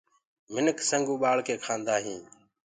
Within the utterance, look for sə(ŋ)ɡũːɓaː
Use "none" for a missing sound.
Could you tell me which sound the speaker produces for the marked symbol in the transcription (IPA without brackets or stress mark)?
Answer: ŋ